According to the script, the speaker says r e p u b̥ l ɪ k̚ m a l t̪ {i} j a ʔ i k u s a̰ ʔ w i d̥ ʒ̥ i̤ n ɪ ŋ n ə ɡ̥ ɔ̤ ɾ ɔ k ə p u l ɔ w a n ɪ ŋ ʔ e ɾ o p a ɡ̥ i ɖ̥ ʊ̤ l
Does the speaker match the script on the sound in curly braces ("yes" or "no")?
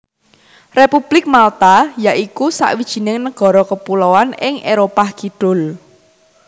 no